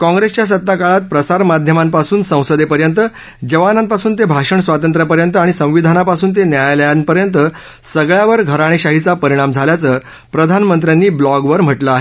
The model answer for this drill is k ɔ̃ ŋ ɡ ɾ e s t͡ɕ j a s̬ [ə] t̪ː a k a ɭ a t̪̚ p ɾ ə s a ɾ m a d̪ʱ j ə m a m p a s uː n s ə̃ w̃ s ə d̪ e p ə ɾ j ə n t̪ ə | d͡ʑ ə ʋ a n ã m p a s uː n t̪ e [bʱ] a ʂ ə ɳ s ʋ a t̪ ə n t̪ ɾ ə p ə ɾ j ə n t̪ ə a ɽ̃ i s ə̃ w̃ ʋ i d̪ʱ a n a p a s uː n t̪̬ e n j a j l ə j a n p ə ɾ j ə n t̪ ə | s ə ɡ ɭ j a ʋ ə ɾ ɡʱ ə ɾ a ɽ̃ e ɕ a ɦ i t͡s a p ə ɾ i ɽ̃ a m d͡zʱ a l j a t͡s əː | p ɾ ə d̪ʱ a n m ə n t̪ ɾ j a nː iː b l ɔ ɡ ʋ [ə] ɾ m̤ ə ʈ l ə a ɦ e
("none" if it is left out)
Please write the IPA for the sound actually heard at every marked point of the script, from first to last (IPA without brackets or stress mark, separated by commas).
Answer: ə, bʱ, ə